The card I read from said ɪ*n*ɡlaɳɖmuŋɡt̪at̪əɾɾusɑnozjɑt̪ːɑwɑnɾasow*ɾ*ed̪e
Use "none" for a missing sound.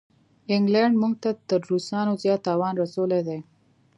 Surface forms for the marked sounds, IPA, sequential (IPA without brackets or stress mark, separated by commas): ŋ, l